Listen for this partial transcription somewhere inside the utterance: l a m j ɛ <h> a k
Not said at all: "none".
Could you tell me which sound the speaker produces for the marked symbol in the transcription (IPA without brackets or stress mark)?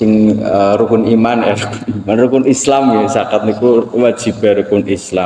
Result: s